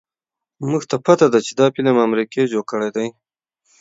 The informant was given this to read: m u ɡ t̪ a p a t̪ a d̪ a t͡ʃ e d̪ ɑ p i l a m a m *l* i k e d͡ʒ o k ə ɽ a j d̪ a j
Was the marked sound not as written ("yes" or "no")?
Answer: yes